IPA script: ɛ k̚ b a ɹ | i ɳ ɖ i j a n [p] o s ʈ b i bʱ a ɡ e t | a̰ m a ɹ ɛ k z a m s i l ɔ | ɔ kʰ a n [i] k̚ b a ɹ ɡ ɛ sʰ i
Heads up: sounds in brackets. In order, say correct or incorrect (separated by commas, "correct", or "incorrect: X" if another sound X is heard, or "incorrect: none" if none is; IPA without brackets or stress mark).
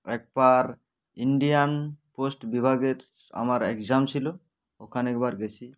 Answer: correct, incorrect: ɛ